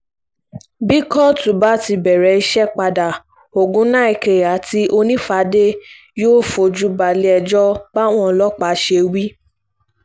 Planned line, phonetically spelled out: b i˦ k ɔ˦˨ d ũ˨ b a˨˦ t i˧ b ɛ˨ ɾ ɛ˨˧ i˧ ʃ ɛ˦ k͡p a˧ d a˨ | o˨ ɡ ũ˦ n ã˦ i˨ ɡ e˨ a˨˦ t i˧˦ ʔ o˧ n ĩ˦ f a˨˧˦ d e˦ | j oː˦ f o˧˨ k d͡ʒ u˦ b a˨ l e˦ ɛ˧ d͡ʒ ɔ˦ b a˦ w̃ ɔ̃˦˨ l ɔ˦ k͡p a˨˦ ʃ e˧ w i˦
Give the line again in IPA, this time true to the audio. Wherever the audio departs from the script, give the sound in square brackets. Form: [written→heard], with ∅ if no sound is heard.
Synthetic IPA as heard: b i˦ k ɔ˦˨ [d→t] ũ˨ b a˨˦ t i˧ b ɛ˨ ɾ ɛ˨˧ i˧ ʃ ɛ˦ k͡p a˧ d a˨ | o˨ ɡ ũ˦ n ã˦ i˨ [ɡ→k] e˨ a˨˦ t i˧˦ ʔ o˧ n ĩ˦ f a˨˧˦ d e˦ | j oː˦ f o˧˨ [k→∅] d͡ʒ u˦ b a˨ l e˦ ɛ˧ d͡ʒ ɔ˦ b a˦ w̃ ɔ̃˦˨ l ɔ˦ k͡p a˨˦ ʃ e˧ w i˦